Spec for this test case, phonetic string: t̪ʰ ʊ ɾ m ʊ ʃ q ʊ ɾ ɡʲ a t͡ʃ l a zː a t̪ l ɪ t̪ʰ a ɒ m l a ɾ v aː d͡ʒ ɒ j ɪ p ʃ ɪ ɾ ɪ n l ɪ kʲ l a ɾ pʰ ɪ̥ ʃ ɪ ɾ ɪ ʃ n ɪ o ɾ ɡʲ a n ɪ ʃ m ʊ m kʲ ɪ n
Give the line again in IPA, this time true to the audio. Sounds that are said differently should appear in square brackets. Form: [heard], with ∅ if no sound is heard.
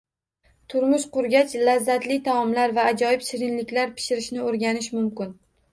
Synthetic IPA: t̪ʰ ʊ ɾ m ʊ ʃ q ʊ ɾ ɡʲ a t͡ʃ l a zː a t̪ l ɪ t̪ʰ a ɒ m l a ɾ v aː d͡ʒ ɒ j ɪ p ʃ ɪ ɾ ɪ n l ɪ kʲ l a ɾ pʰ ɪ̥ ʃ ɪ ɾ ɪ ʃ n ɪ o ɾ ɡʲ a n ɪ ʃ m ʊ m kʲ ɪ n